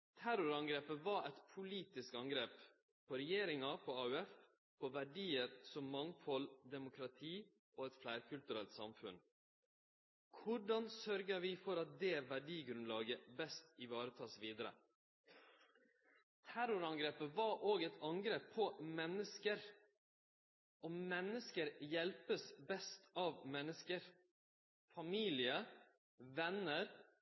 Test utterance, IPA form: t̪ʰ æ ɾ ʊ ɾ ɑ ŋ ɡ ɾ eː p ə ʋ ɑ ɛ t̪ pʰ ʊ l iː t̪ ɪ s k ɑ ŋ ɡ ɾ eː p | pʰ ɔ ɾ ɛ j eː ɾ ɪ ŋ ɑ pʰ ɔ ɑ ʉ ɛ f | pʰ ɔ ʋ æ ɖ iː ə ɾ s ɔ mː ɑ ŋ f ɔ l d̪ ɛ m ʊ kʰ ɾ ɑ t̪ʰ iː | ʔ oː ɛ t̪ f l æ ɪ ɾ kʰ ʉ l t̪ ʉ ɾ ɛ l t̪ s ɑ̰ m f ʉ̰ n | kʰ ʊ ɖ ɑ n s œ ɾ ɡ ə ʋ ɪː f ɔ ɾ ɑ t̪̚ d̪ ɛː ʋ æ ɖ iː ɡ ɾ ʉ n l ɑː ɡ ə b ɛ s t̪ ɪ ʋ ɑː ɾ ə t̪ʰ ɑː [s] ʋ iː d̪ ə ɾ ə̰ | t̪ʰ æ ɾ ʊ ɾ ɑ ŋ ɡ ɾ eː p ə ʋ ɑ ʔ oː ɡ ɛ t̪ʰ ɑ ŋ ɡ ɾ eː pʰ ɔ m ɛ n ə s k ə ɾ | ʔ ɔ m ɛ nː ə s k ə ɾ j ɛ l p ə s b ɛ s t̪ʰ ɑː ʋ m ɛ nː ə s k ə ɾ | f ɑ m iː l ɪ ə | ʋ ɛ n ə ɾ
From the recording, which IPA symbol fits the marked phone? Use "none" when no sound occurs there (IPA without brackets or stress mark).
s